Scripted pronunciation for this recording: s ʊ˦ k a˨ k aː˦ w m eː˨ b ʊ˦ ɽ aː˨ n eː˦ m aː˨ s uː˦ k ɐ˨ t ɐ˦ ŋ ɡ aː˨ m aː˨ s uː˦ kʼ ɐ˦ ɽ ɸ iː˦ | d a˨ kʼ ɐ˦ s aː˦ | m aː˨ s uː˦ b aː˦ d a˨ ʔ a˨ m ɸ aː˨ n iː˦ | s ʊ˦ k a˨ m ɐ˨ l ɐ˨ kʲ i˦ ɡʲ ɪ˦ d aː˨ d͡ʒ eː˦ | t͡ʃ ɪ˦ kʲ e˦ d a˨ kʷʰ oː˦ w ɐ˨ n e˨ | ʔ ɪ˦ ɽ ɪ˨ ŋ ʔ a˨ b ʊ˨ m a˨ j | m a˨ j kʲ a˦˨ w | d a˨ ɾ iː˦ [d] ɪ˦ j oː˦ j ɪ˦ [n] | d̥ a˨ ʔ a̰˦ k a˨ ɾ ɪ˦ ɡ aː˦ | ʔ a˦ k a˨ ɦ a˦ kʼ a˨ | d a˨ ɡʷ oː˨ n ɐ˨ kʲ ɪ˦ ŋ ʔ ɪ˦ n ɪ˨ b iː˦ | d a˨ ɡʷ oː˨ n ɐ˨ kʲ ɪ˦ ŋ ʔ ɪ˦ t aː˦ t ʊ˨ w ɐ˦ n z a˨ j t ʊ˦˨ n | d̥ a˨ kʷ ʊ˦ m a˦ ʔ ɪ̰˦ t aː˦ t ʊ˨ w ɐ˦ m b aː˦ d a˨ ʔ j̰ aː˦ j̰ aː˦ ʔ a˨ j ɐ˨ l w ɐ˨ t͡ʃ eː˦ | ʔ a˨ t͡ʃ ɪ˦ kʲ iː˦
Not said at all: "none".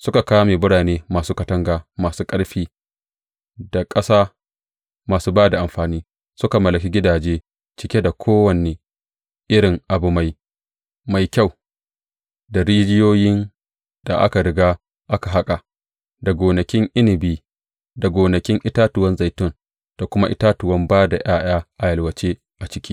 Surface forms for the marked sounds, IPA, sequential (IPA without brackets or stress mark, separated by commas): d͡ʒ, n